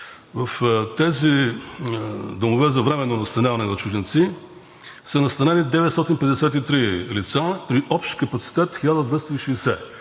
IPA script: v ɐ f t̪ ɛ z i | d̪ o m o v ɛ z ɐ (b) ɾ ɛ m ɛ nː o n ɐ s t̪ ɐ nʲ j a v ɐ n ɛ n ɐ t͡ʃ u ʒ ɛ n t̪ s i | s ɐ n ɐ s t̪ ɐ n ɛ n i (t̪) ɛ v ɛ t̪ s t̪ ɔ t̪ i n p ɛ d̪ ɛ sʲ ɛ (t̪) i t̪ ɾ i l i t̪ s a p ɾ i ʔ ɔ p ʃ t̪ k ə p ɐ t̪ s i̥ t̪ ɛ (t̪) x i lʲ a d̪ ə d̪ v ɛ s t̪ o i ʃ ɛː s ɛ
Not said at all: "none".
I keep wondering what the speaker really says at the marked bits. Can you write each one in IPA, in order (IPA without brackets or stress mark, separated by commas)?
v, d̪, t̪, t̪